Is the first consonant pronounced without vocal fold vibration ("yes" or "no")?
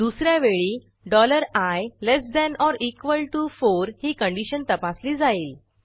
no